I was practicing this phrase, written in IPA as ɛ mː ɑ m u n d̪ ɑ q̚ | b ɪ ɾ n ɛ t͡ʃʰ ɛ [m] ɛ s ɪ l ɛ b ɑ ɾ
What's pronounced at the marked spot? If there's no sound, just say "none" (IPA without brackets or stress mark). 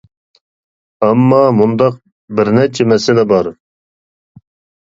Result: m